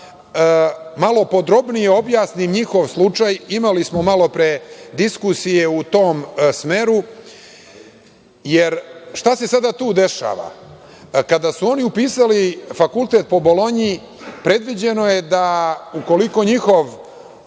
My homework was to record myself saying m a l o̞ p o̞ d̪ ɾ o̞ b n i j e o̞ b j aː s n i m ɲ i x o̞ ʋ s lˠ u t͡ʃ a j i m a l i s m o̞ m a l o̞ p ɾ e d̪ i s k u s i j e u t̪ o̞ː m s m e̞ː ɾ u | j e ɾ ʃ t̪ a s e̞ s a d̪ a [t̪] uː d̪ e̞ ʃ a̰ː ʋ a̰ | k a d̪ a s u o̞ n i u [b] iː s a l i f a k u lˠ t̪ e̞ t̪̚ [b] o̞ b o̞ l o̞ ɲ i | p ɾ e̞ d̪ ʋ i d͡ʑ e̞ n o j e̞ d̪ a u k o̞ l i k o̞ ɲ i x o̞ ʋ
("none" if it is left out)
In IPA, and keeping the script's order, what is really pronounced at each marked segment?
t̪, p, p

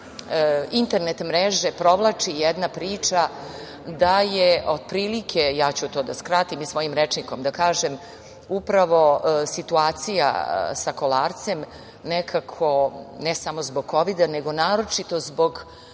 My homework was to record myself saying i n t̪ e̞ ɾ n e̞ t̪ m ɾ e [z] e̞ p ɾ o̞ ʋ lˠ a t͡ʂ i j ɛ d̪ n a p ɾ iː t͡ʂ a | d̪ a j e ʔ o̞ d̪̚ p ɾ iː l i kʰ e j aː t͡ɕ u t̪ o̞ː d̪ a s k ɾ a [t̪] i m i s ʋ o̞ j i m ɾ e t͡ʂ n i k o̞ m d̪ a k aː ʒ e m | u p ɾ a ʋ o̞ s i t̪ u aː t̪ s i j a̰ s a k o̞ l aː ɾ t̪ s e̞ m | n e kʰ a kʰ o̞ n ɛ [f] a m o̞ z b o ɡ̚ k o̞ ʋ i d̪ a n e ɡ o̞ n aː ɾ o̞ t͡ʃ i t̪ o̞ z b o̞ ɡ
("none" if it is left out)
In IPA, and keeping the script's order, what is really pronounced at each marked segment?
ʒ, t̪, s

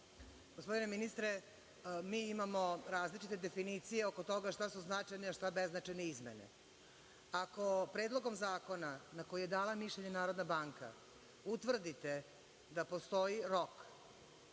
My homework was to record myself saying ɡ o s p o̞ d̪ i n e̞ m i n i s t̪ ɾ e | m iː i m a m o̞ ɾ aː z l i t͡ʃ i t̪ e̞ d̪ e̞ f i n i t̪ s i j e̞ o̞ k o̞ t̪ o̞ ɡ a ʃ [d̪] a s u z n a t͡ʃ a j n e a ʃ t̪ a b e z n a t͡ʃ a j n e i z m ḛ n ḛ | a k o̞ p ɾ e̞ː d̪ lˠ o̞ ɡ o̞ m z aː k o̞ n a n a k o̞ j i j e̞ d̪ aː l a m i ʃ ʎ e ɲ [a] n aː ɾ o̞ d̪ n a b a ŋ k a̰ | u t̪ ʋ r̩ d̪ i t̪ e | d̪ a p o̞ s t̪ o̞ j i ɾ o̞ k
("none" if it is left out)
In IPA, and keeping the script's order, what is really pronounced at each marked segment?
t̪, e

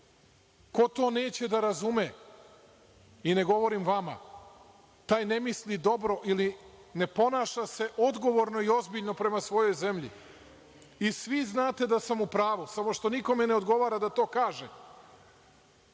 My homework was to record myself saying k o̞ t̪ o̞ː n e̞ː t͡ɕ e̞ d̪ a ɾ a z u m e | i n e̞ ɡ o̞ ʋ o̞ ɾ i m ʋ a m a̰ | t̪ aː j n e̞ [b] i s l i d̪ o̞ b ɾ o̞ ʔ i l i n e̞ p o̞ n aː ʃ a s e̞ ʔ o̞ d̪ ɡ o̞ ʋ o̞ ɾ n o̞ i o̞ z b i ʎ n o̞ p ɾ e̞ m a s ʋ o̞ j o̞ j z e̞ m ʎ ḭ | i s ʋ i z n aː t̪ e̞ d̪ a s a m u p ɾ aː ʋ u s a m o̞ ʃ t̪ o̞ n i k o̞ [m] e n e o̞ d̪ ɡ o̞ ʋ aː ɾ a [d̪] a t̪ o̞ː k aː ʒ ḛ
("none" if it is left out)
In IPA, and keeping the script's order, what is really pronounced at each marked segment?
m, m, d̪

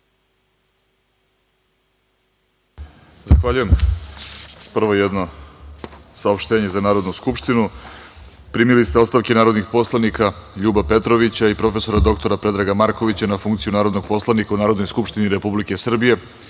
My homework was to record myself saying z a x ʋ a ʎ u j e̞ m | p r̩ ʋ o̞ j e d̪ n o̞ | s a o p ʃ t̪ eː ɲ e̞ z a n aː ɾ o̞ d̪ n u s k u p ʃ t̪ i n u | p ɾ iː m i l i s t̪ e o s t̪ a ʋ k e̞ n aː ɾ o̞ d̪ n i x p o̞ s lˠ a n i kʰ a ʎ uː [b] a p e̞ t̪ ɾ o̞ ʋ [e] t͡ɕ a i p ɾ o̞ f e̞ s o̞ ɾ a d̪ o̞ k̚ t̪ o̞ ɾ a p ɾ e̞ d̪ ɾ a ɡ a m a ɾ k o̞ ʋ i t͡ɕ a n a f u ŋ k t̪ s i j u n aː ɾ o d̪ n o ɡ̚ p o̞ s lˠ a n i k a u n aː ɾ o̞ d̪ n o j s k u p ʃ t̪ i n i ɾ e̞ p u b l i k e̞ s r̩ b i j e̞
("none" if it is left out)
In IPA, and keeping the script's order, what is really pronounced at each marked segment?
b, i

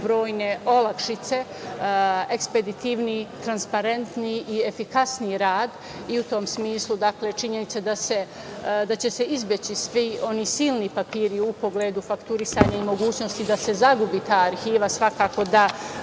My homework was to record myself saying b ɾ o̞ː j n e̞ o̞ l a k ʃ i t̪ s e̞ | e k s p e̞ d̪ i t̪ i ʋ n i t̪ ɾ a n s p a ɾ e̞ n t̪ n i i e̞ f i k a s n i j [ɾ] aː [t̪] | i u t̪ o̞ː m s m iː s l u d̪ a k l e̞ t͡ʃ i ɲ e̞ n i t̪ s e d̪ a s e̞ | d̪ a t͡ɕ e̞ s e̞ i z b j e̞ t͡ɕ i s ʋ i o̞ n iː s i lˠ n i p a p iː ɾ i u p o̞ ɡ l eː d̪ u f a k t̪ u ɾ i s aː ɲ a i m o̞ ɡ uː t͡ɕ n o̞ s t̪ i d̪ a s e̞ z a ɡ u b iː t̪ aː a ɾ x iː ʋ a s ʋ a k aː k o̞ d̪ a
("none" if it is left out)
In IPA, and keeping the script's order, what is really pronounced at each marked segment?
ɾ, d̪

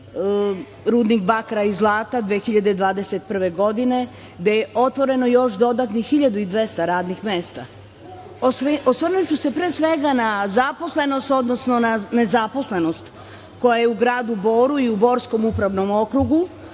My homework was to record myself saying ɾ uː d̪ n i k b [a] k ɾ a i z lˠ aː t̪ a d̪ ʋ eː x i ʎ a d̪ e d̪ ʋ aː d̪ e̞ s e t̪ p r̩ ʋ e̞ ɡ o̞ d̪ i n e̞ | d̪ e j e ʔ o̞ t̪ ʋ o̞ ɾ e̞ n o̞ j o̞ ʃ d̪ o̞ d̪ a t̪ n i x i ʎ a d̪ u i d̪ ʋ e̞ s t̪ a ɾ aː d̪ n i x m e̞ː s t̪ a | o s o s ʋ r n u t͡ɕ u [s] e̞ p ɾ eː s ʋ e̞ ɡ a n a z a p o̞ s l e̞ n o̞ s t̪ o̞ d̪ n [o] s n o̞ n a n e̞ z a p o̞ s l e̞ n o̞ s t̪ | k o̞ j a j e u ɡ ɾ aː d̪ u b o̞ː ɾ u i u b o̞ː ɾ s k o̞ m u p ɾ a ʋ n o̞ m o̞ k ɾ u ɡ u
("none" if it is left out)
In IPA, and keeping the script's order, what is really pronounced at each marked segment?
a, s, o

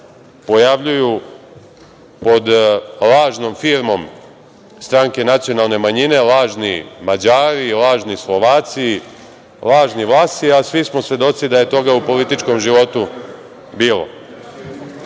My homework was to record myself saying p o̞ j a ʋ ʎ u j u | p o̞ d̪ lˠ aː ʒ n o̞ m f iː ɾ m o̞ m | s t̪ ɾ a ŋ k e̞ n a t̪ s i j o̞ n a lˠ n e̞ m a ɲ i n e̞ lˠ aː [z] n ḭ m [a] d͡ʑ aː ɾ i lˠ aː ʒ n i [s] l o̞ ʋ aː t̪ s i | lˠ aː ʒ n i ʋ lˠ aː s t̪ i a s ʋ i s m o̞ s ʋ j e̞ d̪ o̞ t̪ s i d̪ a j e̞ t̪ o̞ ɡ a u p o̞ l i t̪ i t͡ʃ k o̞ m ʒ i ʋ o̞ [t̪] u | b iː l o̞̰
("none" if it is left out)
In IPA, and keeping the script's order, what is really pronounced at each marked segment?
ʒ, a, s, t̪

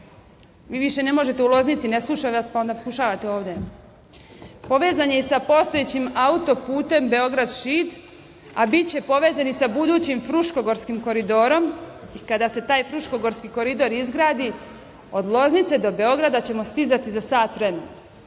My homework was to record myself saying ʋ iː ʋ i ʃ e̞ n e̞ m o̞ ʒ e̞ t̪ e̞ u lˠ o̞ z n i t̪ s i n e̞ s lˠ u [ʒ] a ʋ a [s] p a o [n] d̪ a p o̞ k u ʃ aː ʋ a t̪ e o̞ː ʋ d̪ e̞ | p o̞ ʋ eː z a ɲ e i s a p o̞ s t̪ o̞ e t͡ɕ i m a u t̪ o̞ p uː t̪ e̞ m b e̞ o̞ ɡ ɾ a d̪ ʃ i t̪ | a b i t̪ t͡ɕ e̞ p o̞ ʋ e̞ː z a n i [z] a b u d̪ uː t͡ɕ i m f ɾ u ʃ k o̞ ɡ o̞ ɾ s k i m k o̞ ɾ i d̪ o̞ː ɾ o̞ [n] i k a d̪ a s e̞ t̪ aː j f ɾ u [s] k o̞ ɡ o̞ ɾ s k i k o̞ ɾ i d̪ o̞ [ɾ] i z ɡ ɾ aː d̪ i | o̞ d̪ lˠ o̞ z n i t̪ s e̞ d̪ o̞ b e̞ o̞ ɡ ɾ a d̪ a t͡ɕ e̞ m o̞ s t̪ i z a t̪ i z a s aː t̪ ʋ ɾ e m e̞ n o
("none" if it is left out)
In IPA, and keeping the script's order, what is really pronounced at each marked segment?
ʃ, s, n, s, m, ʃ, ɾ

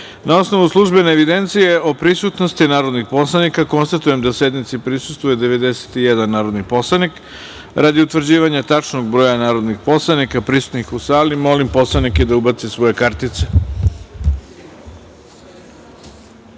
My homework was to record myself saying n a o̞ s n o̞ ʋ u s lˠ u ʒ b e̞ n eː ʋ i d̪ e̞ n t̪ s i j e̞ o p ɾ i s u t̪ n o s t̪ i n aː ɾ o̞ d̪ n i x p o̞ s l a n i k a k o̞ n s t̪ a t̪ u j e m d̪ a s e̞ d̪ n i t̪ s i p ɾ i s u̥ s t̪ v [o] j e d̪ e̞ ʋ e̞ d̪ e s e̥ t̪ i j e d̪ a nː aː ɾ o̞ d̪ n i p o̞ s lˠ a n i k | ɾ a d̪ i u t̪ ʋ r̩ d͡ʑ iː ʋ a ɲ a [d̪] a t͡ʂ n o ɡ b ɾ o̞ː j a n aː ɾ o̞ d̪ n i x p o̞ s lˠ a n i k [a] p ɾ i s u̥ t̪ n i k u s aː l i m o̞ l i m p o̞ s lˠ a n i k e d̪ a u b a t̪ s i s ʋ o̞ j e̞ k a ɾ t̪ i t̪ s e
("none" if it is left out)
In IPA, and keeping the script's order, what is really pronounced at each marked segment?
u, t̪, a

